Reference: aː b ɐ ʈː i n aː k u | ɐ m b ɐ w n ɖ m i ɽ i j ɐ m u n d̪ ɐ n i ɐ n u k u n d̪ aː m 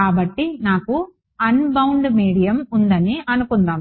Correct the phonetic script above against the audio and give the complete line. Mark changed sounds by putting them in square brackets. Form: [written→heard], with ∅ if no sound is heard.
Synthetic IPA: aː b ɐ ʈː i n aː k u | ɐ [m→n] b ɐ w [n→ɳ] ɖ m [i→iː] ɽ i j ɐ m u n d̪ ɐ n i ɐ n u k u n d̪ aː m